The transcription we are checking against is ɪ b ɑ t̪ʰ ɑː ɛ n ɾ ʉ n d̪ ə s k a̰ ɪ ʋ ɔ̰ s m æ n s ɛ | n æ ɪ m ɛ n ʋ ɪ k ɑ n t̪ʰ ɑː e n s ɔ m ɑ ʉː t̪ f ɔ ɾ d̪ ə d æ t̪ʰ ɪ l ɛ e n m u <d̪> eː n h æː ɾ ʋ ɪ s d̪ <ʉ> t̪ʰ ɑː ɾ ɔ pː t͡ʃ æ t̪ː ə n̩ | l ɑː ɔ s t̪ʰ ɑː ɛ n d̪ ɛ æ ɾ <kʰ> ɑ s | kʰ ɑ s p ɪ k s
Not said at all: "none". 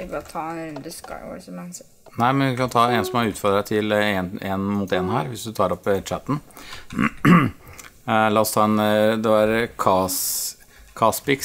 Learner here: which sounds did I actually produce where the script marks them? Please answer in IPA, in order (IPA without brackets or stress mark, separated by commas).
t̪, ʉ, kʰ